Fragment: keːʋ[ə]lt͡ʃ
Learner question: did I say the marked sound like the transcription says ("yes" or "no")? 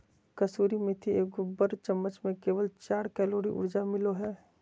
yes